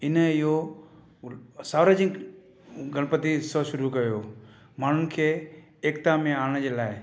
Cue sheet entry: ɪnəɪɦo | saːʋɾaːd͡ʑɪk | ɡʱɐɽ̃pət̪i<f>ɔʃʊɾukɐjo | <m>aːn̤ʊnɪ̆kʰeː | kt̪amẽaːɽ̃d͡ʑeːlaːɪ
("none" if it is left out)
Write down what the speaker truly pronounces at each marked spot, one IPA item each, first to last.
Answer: s, m

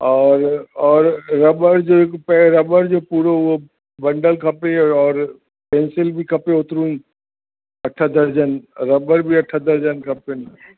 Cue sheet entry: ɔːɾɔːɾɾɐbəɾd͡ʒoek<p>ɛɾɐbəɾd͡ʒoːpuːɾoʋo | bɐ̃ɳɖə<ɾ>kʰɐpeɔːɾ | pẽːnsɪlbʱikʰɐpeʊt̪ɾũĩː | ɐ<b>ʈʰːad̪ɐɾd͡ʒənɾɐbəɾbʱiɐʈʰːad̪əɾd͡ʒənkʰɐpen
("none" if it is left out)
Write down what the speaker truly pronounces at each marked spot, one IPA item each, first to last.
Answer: p, l, none

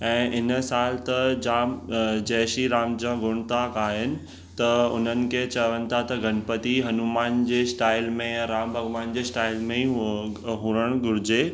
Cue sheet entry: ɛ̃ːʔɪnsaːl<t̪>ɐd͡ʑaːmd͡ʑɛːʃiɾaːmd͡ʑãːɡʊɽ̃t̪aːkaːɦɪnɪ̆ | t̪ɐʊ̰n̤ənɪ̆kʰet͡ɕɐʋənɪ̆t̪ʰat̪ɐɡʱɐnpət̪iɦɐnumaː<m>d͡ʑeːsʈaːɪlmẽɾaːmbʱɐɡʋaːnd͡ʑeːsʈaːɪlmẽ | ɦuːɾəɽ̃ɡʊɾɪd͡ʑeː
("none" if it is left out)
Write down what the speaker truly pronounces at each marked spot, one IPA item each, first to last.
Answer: t̪, n

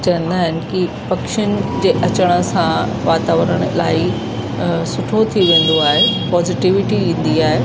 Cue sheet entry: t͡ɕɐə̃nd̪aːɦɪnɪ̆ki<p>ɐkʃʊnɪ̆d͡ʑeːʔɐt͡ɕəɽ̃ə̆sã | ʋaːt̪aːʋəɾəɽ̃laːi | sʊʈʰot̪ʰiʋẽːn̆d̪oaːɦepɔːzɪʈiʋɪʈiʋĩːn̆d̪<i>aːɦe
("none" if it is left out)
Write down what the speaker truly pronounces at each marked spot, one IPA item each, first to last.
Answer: p, i

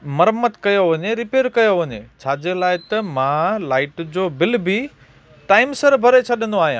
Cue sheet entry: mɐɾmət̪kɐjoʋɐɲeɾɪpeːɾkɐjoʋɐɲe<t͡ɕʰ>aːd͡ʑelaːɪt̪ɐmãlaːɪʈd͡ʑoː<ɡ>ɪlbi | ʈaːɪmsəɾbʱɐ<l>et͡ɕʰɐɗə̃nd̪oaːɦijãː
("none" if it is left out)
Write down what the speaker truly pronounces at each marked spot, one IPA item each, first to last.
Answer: t͡ɕʰ, b, ɾ

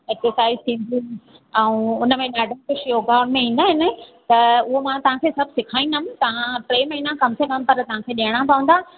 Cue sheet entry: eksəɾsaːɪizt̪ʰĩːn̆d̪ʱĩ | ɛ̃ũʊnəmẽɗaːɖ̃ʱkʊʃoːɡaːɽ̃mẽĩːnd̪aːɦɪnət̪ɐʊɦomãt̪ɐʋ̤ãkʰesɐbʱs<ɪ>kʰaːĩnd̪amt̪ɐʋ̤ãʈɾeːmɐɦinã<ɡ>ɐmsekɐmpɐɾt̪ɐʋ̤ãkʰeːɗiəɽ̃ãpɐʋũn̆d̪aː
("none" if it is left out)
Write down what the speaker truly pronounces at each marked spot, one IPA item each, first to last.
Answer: ɪ, k

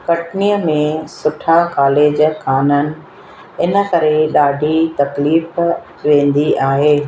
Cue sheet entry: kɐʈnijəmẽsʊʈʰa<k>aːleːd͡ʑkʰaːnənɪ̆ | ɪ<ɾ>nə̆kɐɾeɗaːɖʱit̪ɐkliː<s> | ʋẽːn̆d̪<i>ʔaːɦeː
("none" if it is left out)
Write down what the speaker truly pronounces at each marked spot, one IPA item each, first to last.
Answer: k, none, f, i

